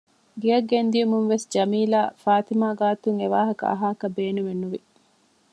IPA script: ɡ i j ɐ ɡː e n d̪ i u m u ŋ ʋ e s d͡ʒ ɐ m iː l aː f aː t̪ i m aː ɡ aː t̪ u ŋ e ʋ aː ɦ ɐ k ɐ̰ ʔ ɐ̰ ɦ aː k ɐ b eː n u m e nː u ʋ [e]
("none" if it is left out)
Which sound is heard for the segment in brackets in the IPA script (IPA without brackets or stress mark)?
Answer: i